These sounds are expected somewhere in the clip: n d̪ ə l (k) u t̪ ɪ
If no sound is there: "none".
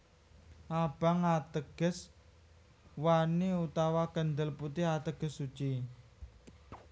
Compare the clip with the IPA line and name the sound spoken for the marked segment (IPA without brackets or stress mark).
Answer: p